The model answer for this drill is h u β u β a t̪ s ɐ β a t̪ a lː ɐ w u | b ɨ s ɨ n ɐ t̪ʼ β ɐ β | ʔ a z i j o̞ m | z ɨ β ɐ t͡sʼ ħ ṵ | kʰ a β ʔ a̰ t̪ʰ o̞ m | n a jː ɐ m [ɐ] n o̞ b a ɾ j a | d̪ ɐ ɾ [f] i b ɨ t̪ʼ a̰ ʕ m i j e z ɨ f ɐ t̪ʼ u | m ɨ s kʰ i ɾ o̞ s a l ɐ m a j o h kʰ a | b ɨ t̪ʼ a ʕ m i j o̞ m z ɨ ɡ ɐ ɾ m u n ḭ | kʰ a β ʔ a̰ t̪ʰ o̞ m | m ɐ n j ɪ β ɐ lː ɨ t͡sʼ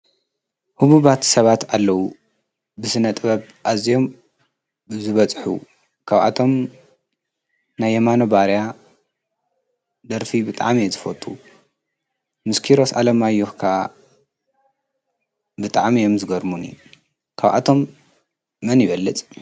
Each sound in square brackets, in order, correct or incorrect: incorrect: a, correct

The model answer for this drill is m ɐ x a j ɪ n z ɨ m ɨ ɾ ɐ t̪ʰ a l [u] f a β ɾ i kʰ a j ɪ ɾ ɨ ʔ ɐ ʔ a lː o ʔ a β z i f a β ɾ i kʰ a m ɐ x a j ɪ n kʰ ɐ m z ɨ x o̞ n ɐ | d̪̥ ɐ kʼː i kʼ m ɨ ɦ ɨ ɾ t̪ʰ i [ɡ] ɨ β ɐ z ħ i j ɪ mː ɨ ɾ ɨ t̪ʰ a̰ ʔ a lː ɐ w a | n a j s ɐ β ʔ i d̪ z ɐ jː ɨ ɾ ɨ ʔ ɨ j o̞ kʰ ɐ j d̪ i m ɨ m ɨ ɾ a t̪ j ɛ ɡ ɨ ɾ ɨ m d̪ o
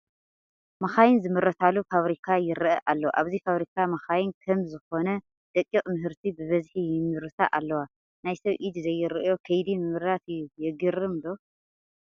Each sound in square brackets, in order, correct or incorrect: correct, incorrect: b

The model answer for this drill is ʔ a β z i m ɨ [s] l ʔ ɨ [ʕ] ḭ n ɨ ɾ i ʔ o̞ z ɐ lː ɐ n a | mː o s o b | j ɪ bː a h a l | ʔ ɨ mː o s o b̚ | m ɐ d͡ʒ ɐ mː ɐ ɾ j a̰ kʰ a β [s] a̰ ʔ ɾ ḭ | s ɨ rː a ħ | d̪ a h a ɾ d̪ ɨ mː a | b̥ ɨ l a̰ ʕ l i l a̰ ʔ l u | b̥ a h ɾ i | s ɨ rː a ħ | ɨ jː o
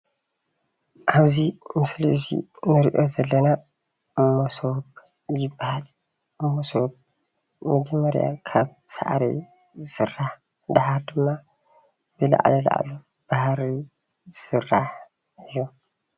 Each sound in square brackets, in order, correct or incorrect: correct, incorrect: z, correct

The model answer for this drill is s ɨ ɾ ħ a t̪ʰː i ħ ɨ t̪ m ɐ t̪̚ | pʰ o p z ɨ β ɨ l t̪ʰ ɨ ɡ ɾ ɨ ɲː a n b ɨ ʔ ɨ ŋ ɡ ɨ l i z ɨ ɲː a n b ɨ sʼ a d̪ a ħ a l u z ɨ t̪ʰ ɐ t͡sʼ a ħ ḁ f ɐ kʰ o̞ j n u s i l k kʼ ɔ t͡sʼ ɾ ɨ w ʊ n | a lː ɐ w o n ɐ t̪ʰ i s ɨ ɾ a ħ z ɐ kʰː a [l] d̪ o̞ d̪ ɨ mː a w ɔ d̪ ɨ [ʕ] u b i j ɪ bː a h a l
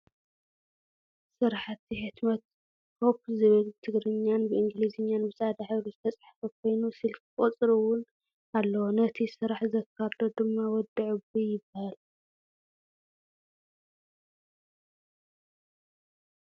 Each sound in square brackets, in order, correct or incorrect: incorrect: ɾ, correct

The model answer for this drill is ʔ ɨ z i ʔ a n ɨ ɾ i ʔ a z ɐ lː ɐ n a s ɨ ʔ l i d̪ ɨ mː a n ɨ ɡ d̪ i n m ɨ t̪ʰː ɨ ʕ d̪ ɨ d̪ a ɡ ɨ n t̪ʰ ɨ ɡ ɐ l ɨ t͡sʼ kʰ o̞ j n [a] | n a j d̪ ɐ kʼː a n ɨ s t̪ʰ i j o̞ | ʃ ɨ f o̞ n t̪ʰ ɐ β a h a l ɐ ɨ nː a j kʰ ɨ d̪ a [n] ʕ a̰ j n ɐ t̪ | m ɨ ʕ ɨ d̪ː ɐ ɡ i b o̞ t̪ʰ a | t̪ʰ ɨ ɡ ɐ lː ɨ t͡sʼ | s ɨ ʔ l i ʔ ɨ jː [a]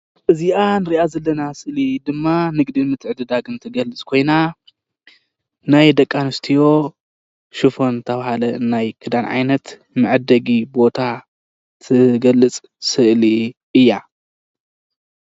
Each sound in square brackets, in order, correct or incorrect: correct, correct, correct

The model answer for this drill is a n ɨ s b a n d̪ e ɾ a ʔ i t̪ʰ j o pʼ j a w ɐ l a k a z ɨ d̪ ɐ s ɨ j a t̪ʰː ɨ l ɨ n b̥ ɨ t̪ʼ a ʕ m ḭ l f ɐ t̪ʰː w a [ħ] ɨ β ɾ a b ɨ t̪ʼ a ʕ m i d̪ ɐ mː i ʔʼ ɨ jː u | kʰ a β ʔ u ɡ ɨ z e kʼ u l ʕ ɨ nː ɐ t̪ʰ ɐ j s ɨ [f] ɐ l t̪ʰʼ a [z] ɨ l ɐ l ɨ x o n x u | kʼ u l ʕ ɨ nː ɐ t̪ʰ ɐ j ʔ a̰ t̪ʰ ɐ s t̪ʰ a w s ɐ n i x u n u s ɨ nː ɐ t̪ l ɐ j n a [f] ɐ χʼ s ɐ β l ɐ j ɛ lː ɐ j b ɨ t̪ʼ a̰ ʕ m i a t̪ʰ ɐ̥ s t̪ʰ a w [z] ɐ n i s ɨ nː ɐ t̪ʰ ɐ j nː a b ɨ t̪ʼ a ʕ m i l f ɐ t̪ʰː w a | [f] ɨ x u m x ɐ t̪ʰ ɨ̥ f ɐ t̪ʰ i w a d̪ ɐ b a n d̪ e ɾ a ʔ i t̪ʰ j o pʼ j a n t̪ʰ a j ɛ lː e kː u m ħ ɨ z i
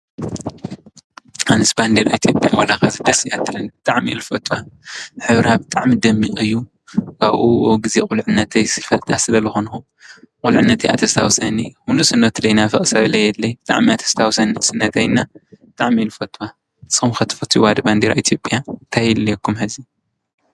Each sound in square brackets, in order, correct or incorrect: correct, correct, incorrect: s, correct, incorrect: s, incorrect: s

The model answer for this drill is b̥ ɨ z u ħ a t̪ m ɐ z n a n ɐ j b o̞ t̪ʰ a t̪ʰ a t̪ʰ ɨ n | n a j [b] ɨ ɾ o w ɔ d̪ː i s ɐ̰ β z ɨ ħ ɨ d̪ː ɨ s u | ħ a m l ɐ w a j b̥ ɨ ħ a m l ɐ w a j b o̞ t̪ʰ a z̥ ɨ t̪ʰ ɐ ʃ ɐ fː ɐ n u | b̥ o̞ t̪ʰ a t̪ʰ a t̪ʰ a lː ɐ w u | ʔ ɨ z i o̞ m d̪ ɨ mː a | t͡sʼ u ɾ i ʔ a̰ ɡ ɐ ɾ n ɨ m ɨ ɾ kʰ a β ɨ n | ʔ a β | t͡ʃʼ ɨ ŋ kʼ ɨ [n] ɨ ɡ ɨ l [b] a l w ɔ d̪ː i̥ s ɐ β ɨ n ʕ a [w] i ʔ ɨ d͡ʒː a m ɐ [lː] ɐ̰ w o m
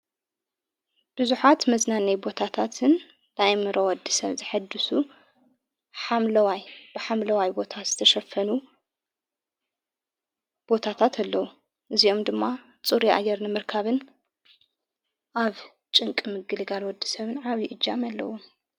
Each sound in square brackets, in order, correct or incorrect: incorrect: m, incorrect: m, incorrect: ɡ, incorrect: β, correct

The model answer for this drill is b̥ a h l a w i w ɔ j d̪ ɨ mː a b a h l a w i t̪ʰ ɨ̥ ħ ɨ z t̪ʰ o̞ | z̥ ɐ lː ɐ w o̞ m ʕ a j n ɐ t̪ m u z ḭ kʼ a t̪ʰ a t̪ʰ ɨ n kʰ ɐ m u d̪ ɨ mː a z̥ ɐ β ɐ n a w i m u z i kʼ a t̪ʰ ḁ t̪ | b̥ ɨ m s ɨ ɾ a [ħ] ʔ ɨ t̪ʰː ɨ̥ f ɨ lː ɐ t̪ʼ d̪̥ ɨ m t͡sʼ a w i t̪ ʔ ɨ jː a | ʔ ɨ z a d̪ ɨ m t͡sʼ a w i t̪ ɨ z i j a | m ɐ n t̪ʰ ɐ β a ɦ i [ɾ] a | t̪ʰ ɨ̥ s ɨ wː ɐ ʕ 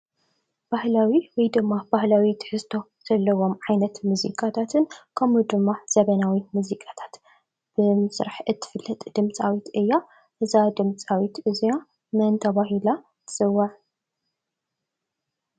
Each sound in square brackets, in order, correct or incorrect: correct, incorrect: l

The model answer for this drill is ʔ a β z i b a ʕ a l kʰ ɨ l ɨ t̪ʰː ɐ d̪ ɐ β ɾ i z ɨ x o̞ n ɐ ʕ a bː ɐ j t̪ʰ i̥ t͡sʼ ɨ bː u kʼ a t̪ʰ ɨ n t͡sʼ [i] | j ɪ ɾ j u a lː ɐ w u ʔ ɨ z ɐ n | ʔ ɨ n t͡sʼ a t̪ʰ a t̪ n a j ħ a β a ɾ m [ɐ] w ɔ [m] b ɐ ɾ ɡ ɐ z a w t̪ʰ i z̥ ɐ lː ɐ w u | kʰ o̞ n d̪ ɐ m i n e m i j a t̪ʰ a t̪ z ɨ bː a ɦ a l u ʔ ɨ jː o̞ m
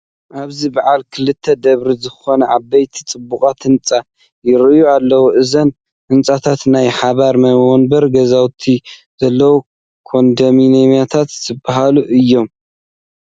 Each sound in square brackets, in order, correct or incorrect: incorrect: a, correct, incorrect: n

